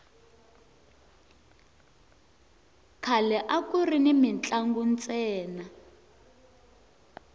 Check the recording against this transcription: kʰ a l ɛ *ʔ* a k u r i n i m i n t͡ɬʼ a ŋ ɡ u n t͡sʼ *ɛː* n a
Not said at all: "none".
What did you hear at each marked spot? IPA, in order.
ʔ, ɛː

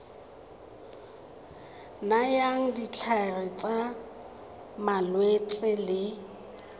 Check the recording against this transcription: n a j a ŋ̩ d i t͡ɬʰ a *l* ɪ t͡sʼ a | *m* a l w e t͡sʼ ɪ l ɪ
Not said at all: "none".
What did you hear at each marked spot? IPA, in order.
r, m

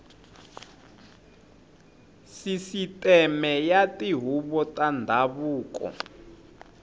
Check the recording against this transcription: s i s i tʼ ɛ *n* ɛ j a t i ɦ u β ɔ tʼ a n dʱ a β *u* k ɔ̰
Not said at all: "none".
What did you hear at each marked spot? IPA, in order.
m, uː

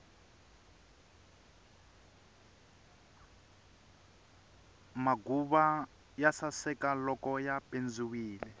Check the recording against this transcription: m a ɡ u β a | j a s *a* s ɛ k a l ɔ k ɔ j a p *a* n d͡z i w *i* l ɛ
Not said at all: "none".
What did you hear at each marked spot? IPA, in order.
a, e, iː

